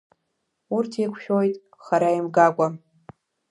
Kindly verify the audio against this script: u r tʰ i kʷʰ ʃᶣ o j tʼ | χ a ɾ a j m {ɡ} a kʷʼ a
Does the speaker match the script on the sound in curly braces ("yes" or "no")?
yes